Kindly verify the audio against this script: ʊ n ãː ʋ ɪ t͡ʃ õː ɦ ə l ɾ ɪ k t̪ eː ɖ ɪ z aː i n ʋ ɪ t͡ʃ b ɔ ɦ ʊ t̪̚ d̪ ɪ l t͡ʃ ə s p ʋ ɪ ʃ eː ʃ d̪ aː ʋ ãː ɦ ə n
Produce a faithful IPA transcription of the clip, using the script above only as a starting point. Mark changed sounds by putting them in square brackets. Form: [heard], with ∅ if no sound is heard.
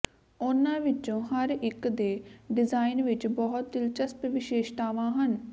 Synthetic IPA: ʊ n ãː ʋ ɪ t͡ʃ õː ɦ ə [∅] ɾ ɪ k [d̪] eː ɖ ɪ z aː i n ʋ ɪ t͡ʃ b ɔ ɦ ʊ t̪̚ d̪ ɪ l t͡ʃ ə s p ʋ ɪ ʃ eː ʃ [t̪] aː ʋ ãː ɦ ə n